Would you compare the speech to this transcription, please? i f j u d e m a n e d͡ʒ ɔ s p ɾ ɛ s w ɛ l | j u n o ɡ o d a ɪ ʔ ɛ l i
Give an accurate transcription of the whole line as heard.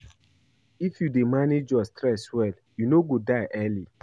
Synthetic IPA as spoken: i f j u d e m a n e d͡ʒ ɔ s t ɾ ɛ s w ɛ l | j u n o ɡ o d a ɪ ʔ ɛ l i